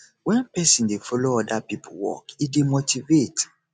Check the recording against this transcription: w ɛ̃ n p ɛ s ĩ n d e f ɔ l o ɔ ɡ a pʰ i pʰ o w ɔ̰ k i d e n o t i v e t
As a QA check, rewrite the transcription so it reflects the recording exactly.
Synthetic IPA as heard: w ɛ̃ n p ɛ s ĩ n d e f ɔ l o ɔ d a p i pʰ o w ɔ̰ k i d e m o t i v e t